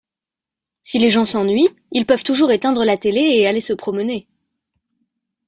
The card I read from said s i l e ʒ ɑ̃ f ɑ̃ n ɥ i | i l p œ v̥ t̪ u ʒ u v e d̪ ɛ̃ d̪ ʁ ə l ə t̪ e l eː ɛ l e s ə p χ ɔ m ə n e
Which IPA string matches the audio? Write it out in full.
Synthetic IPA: s i l e ʒ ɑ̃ s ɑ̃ n ɥ i | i l p œ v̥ t̪ u ʒ u ʁ e t̪ ɛ̃ d̪ ʁ ə l a t̪ e l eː a l e s ə p χ ɔ m ə n e